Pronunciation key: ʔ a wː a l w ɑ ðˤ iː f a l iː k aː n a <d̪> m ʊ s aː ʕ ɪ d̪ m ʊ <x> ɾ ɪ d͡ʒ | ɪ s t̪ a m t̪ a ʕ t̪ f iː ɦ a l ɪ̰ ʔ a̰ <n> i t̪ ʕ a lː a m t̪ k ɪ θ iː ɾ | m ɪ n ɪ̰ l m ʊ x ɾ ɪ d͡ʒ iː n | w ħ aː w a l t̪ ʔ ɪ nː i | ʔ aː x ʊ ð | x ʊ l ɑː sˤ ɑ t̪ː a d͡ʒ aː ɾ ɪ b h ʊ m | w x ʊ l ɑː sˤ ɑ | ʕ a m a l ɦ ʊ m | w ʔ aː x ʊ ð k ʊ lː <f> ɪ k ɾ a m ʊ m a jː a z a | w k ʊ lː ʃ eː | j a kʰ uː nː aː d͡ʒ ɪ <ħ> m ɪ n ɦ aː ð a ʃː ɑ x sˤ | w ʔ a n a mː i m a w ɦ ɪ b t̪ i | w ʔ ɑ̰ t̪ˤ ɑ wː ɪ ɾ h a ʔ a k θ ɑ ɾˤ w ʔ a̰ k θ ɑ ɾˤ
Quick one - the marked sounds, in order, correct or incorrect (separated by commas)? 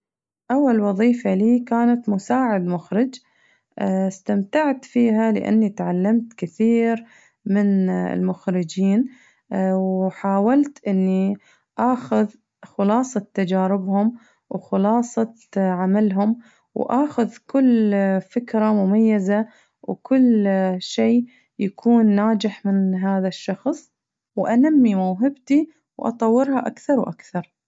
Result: incorrect, correct, incorrect, correct, correct